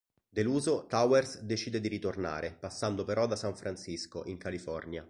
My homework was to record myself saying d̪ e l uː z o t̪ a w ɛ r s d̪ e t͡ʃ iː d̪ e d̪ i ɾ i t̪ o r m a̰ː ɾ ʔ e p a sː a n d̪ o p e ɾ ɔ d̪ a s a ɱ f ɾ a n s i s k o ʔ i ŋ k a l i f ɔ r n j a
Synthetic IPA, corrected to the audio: d̪ e l uː z o t̪ a w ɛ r s d̪ e t͡ʃ iː d̪ e d̪ i ɾ i t̪ o r n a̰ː ɾ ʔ e p a sː a n d̪ o p e ɾ ɔ d̪ a s a ɱ f ɾ a n s i s k o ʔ i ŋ k a l i f ɔ r n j a